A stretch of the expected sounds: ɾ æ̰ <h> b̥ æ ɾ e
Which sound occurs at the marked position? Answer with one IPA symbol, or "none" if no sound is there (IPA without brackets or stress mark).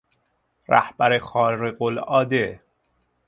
h